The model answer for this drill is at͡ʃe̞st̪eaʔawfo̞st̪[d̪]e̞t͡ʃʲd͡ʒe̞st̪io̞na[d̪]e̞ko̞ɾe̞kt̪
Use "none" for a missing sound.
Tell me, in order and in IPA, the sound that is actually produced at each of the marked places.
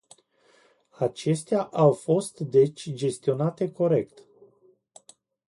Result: d̪, t̪

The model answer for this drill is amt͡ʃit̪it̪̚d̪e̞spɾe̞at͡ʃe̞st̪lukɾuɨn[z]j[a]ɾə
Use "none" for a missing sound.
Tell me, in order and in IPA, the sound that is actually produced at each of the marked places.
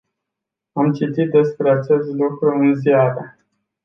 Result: z, a

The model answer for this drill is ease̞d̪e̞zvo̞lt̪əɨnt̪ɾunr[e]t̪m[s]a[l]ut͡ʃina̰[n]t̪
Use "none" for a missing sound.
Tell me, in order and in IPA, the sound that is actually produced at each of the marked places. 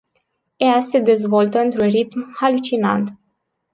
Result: i, h, l, n

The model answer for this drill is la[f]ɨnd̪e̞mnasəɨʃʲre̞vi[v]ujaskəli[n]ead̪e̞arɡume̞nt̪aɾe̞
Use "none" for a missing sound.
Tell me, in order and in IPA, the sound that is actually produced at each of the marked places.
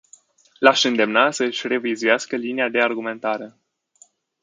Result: ʃ, z, n

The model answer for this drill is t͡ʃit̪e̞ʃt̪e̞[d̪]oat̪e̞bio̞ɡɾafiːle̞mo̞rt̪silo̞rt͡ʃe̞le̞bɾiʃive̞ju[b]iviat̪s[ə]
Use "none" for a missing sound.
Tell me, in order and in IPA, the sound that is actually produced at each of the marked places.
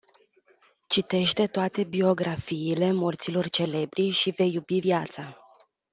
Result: t̪, b, a

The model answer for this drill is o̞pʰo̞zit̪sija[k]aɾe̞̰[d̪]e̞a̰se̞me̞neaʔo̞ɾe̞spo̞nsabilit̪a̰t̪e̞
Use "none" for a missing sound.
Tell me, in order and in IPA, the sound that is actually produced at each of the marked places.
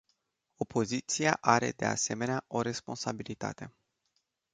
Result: ʔ, d̪

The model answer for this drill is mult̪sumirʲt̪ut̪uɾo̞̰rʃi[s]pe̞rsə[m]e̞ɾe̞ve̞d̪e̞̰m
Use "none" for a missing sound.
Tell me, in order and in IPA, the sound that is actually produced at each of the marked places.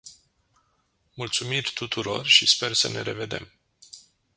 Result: s, n

